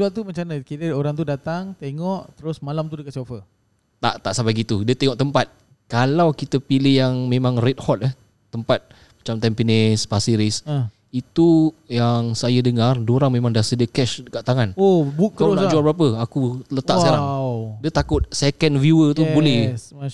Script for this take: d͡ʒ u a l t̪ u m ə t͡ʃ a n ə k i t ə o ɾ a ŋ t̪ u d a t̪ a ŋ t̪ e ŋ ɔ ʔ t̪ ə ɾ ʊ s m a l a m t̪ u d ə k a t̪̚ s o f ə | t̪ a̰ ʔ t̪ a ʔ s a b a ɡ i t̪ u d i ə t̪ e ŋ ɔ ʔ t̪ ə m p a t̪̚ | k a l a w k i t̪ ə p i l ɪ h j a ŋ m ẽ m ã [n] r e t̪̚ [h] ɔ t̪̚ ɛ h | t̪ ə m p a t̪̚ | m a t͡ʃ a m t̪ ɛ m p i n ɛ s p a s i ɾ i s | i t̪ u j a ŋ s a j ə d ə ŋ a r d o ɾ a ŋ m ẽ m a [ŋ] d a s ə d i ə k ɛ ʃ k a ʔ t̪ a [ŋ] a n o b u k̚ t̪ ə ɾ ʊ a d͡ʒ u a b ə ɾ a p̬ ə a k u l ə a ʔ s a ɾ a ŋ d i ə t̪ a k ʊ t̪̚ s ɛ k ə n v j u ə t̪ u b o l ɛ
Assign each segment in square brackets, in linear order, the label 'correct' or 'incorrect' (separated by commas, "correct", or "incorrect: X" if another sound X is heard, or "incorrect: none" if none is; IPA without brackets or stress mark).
incorrect: ŋ, correct, correct, correct